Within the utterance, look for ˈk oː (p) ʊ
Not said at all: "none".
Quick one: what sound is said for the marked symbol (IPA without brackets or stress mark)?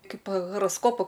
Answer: p